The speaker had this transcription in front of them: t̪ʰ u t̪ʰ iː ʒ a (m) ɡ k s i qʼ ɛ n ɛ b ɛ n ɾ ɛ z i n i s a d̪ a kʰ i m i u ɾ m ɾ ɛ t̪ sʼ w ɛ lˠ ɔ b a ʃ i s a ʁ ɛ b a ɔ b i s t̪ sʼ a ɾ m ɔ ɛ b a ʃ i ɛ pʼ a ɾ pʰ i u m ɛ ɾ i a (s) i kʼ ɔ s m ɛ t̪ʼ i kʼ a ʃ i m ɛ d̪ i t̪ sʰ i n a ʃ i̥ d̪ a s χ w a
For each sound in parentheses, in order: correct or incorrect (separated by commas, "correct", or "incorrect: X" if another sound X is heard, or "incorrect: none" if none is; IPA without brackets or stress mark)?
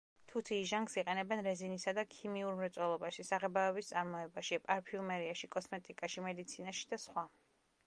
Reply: incorrect: ŋ, incorrect: ʃ